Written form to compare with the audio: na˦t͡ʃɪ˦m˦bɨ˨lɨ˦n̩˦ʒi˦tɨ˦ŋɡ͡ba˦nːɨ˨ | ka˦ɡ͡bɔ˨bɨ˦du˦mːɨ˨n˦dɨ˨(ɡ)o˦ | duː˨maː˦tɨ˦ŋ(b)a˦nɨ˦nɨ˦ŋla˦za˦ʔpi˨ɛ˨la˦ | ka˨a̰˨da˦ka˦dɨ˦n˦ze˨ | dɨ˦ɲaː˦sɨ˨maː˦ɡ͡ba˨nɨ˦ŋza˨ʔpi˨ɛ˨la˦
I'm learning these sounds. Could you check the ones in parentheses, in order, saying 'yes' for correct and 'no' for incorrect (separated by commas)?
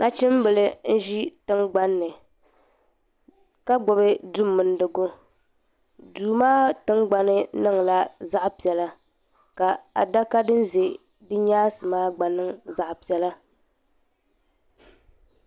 yes, no